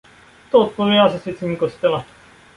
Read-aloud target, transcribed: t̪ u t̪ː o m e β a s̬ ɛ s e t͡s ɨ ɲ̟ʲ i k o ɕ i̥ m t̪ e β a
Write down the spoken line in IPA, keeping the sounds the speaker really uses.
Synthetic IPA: t̪ o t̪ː o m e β a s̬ e s e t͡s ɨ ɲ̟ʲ i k o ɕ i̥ t̪ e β a